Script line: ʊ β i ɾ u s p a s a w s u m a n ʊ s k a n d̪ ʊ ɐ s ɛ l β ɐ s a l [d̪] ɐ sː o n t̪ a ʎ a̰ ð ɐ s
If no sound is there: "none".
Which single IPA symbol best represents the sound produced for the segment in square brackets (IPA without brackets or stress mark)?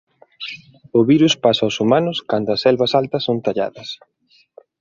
t̪